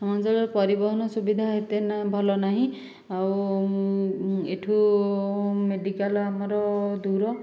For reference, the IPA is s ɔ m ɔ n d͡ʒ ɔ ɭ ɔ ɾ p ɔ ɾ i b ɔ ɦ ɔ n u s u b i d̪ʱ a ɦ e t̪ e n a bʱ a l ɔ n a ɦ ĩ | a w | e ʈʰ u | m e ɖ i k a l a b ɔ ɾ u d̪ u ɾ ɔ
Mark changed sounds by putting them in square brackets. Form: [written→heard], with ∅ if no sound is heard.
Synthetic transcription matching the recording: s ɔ m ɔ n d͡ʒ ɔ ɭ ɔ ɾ p ɔ ɾ i b ɔ ɦ ɔ n [u→ɔ] s u b i d̪ʱ a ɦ e t̪ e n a bʱ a l ɔ n a ɦ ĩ | a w | e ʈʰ u | m e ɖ i k a l a [b→m] ɔ ɾ [u→ɔ] d̪ u ɾ ɔ